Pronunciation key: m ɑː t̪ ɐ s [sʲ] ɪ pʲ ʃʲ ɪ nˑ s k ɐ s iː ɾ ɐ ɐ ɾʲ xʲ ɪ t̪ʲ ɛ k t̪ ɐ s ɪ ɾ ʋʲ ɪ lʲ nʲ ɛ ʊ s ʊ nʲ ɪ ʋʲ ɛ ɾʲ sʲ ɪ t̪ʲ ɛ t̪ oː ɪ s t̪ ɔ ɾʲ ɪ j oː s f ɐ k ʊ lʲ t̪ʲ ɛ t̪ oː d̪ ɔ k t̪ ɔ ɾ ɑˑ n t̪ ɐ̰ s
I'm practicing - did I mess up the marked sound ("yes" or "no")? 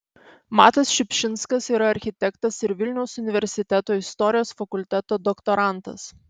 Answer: yes